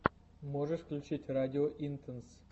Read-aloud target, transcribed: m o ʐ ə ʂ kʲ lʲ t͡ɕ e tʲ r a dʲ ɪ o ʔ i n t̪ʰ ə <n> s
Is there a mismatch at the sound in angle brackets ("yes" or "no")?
no